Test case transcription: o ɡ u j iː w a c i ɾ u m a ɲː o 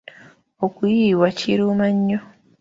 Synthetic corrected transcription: o k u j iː w a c i ɾ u m a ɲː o